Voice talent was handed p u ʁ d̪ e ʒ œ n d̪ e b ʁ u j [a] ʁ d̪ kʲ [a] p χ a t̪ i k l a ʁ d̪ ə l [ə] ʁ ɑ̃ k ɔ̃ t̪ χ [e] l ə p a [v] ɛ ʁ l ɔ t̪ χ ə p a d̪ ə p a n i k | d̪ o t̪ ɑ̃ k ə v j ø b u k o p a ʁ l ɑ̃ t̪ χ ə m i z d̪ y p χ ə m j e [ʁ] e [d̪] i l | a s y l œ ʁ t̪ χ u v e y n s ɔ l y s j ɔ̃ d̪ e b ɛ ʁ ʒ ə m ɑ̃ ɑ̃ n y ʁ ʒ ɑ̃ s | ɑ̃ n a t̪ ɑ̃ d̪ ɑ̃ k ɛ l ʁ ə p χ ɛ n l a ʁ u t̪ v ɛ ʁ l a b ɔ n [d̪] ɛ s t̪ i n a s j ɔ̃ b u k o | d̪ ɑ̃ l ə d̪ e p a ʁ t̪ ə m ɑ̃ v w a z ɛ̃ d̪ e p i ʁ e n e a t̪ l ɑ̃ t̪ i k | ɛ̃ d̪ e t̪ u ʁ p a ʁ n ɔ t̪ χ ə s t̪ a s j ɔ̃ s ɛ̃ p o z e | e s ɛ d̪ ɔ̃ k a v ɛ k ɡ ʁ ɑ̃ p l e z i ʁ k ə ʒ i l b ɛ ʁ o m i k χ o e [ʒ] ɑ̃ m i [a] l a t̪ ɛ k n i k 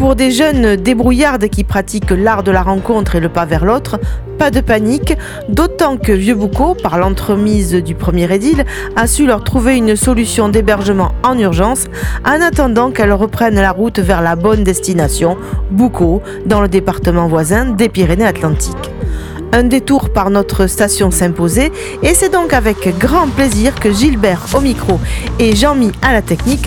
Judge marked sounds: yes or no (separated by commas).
yes, no, no, yes, yes, yes, yes, yes, yes, yes